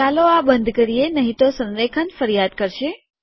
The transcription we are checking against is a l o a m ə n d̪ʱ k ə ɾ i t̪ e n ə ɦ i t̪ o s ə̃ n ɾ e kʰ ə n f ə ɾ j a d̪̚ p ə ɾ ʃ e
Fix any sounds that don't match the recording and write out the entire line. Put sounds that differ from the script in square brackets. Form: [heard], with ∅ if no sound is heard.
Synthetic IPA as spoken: a l o a [b] ə n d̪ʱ k ə ɾ i [∅] e n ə ɦ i t̪ o s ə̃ n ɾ e kʰ ə n f ə ɾ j a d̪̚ [k] ə ɾ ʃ e